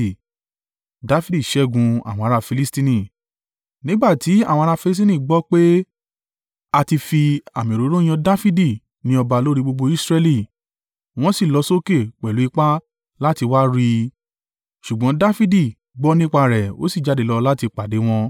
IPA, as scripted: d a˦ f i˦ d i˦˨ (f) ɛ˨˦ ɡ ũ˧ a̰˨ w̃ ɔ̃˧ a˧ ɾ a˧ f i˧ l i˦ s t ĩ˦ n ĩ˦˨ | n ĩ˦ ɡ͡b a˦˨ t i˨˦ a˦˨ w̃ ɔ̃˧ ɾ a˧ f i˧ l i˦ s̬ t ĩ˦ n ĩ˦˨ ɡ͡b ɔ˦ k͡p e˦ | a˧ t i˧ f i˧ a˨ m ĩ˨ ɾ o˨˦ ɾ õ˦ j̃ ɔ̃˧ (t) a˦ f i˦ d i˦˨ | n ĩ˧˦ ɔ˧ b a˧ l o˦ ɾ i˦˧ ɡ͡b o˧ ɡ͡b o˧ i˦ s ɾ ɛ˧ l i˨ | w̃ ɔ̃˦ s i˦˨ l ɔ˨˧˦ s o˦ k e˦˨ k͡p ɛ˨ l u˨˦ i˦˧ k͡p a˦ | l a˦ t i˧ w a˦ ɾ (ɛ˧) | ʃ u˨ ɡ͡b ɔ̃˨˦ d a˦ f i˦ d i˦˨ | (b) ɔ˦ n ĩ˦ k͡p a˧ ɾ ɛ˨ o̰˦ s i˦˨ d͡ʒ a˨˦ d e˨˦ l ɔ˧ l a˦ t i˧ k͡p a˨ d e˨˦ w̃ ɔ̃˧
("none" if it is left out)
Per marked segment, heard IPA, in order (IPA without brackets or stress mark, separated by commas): ʃ, d, i˧, ɡ͡b